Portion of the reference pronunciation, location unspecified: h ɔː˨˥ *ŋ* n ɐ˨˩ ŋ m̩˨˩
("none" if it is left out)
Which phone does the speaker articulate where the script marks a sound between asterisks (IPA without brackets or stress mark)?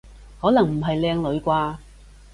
none